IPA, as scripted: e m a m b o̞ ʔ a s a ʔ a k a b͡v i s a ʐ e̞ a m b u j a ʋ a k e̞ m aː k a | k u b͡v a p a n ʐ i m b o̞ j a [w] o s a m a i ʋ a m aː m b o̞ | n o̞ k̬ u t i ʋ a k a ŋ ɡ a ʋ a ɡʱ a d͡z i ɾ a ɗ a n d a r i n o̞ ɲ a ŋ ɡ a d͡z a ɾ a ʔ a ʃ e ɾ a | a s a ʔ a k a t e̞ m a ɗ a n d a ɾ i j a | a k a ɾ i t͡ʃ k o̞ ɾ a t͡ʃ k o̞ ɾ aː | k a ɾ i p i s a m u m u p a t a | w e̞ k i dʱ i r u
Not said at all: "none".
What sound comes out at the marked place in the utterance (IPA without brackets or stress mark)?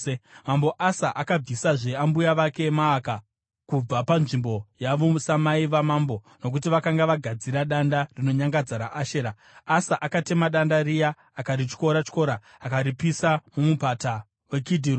ʋ